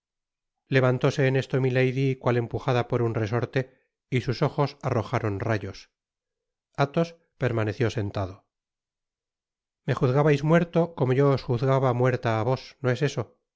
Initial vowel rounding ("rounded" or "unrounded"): unrounded